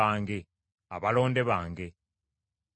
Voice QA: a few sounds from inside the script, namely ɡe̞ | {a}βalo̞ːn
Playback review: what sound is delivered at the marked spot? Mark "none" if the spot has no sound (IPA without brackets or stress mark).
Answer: a